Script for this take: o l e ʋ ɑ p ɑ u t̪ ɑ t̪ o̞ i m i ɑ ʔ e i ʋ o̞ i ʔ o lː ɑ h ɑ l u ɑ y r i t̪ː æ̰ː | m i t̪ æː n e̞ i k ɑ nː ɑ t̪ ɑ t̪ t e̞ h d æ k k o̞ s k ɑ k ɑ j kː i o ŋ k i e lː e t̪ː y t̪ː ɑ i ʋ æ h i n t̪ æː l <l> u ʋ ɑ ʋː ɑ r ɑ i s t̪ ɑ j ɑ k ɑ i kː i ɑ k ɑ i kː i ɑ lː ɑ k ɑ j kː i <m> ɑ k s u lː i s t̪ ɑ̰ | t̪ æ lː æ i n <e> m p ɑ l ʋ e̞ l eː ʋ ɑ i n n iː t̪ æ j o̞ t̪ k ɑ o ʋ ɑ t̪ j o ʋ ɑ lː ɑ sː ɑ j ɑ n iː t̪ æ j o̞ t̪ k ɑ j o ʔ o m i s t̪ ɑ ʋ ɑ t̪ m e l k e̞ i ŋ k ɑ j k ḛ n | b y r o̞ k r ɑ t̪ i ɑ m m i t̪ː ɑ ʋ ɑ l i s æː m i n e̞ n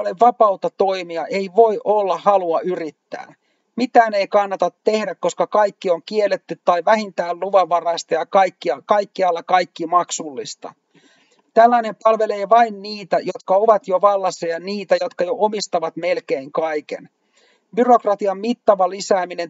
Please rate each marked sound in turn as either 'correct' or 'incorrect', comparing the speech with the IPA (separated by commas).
correct, correct, correct